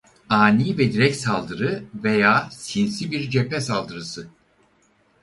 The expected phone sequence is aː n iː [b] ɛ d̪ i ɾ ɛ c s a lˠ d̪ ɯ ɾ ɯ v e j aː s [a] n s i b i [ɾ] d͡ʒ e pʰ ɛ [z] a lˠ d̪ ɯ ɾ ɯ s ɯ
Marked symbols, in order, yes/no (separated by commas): no, no, yes, no